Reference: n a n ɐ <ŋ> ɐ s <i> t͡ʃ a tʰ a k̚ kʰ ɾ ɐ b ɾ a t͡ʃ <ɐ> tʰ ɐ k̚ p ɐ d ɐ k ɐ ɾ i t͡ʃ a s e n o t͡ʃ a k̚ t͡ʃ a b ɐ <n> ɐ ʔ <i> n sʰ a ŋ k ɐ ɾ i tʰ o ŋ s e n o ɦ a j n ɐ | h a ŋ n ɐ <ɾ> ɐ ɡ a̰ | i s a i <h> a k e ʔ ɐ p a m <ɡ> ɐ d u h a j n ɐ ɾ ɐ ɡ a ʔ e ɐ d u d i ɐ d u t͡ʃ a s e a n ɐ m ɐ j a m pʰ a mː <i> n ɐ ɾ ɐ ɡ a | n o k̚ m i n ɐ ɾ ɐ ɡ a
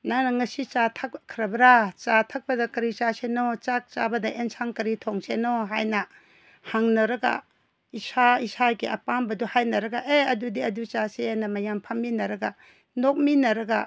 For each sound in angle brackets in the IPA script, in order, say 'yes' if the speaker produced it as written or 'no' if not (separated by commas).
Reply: yes, yes, no, no, no, yes, no, no, yes